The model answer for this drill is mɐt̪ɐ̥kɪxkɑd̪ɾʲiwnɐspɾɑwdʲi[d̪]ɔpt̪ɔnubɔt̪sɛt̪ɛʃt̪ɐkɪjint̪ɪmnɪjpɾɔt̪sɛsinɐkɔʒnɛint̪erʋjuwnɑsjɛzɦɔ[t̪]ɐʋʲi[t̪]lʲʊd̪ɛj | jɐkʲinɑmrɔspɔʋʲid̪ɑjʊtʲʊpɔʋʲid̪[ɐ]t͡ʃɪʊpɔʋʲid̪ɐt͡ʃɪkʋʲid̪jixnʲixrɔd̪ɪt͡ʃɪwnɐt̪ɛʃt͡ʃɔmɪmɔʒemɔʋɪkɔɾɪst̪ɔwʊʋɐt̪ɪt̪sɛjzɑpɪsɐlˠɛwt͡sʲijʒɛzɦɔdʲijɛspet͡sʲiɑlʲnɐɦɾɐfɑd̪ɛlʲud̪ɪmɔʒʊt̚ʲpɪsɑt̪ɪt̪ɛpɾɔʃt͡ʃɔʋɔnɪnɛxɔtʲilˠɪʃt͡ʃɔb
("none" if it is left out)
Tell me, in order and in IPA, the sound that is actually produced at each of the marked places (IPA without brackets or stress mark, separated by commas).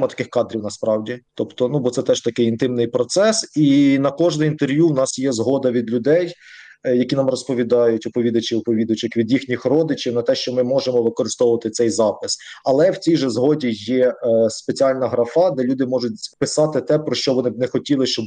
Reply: t̪, d̪, d̪, ɐ